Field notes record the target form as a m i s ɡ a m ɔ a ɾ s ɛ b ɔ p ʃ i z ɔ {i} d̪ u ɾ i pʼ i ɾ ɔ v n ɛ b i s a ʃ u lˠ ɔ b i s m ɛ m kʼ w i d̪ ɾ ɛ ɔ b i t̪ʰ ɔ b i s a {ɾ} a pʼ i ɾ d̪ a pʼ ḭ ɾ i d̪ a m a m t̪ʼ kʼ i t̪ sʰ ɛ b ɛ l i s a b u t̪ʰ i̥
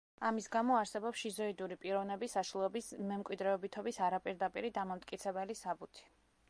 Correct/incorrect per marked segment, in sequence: correct, correct

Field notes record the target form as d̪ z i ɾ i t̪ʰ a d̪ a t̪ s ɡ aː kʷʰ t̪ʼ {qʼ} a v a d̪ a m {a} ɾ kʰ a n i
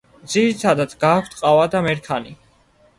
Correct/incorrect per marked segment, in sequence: correct, incorrect: ɛ

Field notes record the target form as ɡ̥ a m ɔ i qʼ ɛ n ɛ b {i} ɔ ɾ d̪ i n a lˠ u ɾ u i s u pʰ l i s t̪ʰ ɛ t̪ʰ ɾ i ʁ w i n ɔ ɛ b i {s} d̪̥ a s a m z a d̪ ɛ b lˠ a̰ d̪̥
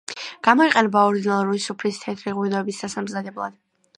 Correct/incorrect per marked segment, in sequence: incorrect: a, correct

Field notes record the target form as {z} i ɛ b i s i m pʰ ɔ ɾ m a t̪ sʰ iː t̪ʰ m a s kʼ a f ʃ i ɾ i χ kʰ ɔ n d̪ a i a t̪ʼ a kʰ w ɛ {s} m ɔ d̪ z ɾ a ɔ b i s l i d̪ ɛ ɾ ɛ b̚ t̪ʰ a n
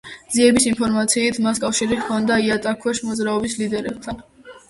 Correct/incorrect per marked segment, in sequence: correct, incorrect: ʃ

